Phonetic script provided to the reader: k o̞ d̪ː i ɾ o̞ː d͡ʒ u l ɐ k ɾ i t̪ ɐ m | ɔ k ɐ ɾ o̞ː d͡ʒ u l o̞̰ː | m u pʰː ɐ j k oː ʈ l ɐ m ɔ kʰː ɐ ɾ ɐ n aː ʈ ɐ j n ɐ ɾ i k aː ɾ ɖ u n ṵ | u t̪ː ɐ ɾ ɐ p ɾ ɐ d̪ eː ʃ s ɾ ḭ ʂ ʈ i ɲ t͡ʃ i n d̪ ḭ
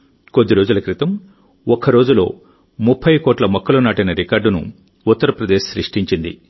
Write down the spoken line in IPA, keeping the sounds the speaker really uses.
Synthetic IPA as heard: k o̞ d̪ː i ɾ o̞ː d͡ʒ u l ɐ k ɾ i t̪ ɐ m | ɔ k ɐ ɾ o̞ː d͡ʒ u l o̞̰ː | m u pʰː ɐ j k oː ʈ l ɐ m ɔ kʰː ɐ l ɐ n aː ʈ ɐ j n ɐ ɾ i k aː ɾ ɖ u n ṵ | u t̪ː ɐ ɾ ɐ p ɾ ɐ d̪ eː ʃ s ɾ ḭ ʂ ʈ i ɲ t͡ʃ i n d̪ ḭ